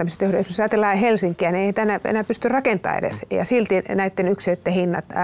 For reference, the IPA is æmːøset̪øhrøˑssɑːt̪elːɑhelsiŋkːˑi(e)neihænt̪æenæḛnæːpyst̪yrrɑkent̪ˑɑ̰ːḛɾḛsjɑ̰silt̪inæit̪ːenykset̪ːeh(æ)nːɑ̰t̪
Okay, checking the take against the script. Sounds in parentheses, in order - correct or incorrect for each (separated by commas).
incorrect, incorrect